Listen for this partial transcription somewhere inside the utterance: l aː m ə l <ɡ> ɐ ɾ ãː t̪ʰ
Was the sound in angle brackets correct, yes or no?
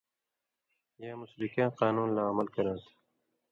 no